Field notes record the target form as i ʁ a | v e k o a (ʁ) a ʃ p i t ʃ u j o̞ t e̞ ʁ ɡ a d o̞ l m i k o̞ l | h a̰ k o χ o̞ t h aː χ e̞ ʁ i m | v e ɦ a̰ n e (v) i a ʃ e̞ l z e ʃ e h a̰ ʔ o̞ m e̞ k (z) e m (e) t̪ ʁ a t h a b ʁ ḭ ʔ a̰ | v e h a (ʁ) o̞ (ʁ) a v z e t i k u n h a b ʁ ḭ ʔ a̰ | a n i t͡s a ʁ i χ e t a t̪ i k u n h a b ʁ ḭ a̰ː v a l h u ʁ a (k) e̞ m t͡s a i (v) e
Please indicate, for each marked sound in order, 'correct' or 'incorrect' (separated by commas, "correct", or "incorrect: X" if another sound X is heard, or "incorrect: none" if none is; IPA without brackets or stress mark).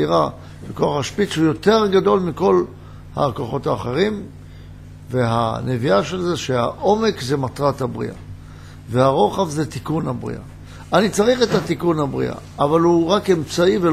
incorrect: χ, correct, correct, incorrect: a, correct, incorrect: χ, correct, correct